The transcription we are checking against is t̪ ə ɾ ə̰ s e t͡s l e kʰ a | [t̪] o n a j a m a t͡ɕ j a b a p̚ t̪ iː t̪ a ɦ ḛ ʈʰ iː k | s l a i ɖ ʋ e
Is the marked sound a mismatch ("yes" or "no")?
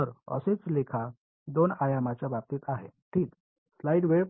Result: yes